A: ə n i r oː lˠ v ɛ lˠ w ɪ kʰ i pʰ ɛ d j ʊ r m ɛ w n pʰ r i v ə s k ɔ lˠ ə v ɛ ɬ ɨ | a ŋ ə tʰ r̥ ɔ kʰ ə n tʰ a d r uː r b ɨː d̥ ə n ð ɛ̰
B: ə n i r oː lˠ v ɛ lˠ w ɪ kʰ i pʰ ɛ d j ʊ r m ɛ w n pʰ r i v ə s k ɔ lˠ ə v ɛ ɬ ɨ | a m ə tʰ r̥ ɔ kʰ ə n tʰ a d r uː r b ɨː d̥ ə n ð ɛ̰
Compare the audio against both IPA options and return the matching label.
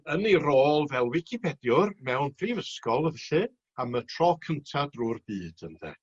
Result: B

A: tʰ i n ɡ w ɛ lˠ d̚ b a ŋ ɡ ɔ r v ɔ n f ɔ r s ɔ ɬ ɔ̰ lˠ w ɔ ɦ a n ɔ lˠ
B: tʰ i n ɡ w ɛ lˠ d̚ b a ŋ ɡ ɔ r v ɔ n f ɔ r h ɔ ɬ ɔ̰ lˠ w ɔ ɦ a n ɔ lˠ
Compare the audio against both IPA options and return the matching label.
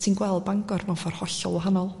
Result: B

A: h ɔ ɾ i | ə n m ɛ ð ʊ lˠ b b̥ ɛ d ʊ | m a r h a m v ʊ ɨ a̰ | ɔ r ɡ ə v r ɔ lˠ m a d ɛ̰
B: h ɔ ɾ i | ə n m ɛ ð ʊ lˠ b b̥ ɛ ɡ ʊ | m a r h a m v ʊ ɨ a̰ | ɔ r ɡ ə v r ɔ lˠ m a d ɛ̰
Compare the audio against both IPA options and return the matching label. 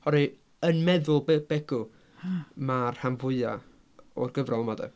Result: B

